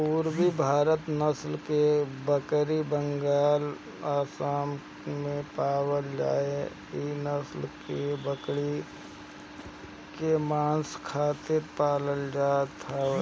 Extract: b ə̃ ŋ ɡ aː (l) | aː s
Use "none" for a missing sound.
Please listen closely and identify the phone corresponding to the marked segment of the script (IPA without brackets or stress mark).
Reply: l